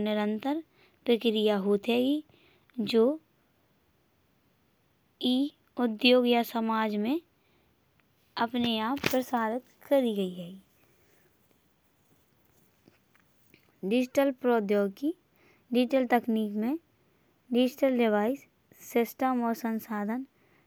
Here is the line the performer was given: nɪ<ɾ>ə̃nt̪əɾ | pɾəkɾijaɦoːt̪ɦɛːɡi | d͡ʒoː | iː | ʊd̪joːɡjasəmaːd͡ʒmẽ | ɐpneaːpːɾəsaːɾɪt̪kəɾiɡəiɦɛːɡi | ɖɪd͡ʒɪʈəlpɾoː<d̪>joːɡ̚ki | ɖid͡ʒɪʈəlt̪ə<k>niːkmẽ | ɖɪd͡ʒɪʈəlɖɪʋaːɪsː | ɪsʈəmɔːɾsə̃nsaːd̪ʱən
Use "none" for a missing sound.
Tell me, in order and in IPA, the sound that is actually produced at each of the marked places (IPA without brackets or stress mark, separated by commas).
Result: ɾ, d̪, k